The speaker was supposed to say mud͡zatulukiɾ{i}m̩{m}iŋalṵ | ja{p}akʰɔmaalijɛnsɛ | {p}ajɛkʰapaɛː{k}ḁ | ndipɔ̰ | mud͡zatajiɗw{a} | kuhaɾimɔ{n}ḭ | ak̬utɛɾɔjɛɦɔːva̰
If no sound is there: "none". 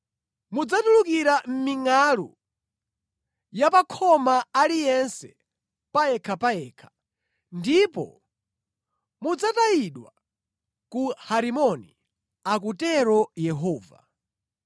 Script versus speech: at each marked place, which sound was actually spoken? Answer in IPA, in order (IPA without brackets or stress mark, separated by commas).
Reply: a, m, p, p, kʰ, a, n